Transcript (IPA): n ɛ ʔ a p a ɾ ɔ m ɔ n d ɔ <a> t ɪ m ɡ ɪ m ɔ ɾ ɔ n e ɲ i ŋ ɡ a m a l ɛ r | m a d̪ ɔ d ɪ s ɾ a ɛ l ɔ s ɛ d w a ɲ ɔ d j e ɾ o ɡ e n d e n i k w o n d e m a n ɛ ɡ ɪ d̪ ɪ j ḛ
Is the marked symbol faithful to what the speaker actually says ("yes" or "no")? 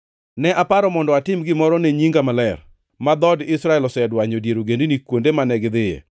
yes